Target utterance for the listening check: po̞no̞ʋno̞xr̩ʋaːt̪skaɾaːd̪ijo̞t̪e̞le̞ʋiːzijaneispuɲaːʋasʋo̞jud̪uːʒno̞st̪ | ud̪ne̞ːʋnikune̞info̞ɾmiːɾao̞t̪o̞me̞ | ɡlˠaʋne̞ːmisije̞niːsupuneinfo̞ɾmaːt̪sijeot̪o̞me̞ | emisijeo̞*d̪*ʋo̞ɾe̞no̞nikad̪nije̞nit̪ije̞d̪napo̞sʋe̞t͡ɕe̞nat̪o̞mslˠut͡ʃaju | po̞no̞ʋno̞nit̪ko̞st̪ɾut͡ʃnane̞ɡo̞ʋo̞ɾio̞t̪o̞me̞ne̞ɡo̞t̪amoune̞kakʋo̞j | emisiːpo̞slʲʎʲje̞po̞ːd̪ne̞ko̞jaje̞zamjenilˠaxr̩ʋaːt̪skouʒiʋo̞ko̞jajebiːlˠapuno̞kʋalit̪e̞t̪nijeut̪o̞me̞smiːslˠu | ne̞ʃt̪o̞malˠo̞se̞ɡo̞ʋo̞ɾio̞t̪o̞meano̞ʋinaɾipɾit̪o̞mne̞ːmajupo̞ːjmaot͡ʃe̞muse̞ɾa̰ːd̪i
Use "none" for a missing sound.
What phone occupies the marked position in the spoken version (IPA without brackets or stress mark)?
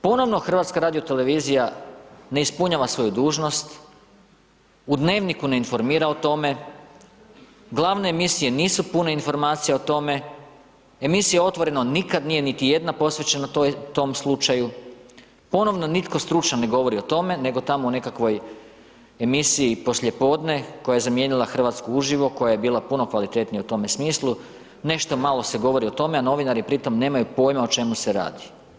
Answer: t̪